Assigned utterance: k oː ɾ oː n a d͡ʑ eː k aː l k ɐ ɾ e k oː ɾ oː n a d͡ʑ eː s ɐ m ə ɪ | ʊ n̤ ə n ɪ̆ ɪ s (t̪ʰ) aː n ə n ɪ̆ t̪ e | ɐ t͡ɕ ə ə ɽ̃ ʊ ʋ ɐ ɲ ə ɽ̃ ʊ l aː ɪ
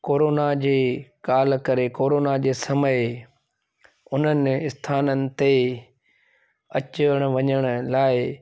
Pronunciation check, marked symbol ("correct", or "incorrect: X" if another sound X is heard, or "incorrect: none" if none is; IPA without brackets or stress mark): correct